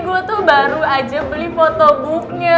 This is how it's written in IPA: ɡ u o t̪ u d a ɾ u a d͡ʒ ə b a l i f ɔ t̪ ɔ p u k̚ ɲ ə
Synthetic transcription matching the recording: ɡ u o t̪ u b a ɾ u a d͡ʒ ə b ə l i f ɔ t̪ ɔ b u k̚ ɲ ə